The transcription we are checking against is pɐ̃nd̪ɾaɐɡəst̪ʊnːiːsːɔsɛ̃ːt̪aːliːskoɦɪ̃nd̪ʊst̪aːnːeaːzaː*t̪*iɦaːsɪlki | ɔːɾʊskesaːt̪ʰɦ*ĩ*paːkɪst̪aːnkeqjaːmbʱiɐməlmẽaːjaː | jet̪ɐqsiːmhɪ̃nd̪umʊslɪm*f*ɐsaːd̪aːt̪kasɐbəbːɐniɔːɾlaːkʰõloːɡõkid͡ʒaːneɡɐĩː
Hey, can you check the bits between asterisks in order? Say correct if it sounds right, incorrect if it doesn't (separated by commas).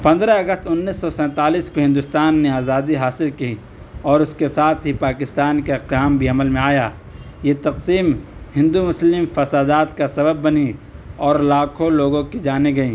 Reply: incorrect, incorrect, correct